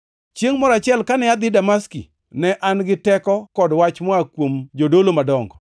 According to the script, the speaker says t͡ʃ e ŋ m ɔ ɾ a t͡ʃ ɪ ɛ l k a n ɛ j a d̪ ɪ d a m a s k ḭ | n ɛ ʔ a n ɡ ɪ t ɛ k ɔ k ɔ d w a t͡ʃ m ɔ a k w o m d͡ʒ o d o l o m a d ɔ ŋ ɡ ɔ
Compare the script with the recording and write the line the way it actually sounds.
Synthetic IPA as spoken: t͡ʃ e ŋ m ɔ ɾ a t͡ʃ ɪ ɛ l k a n ɛ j a d̪ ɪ d a m a s k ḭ | n ɛ ʔ a n ɡ ɪ t ɛ k ɔ k ɔ d w a t͡ʃ m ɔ a k w o m d͡ʒ o d o l o m a d ɔ ŋ ɡ ɔ